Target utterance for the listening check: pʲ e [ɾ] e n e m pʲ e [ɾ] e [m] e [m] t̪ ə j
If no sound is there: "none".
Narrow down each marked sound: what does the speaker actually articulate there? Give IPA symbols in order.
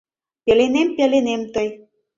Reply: l, l, n, m

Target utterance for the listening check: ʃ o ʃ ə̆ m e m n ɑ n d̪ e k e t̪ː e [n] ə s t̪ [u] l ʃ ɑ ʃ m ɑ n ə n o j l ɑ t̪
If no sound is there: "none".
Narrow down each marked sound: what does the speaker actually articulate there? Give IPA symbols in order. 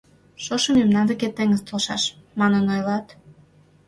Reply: ŋ, o

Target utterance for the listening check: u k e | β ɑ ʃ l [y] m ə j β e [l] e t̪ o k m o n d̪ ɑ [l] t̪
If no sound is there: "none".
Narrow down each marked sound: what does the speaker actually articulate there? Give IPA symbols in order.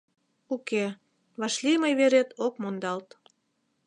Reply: i, ɾ, l

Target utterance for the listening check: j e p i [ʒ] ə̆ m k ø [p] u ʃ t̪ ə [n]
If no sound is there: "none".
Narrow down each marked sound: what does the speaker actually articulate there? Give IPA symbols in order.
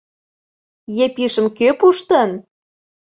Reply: ʃ, p, n

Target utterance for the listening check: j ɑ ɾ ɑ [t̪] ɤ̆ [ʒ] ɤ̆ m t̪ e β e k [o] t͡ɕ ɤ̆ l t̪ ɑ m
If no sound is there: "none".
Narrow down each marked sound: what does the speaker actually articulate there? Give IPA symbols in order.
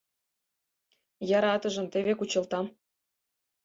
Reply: t̪, ʒ, u

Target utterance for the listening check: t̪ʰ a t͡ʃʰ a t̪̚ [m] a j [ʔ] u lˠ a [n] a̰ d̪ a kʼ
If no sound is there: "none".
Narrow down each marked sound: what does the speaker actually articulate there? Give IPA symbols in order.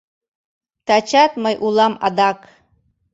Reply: m, ʔ, m

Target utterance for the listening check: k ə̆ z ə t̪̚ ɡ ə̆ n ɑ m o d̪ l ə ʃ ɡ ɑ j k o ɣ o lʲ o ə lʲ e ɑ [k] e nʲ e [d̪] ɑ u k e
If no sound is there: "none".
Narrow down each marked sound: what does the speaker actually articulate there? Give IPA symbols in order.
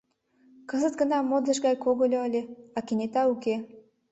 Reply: k, t̪

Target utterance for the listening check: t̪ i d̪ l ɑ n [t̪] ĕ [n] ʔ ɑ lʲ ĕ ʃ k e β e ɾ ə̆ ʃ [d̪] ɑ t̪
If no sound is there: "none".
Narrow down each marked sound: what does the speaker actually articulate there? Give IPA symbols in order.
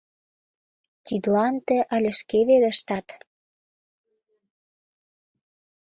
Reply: t̪, none, t̪

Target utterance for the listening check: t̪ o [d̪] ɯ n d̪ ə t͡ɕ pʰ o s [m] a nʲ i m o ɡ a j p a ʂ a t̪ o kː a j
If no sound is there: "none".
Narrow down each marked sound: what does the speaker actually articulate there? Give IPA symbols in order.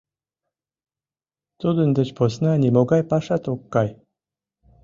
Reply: d̪, n

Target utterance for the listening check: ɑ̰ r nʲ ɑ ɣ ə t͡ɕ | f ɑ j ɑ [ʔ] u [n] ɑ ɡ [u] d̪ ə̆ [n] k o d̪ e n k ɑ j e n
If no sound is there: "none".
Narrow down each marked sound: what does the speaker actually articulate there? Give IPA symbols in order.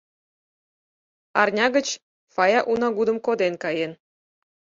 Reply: ʔ, n, u, m

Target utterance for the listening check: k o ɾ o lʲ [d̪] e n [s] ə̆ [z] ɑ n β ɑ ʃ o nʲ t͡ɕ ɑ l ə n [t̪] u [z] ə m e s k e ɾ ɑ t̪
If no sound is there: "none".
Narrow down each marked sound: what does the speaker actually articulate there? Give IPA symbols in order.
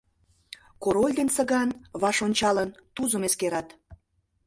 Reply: d̪, s, ɣ, t̪, z

